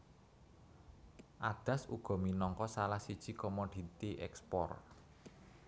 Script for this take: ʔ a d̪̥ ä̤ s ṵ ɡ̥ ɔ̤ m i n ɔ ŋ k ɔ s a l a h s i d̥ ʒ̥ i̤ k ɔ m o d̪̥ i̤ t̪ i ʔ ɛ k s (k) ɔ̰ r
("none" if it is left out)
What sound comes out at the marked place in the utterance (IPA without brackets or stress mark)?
p